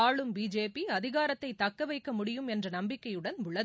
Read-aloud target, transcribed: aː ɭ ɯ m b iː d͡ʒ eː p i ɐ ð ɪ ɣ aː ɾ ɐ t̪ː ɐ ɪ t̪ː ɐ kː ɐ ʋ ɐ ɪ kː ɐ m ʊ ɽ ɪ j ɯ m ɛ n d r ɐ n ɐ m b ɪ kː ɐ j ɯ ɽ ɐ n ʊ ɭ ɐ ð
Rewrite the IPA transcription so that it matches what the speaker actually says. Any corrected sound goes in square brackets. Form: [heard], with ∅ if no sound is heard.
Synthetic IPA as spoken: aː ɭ ɯ m b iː d͡ʒ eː p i ɐ ð ɪ ɣ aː ɾ ɐ t̪ː ɐ ɪ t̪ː ɐ kː ɐ ʋ ɐ ɪ kː ɐ m ʊ ɽ ɪ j ɯ m ɛ n d r ɐ n ɐ m b ɪ kː ɐ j ɯ ɽ ɐ n ʊ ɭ ɐ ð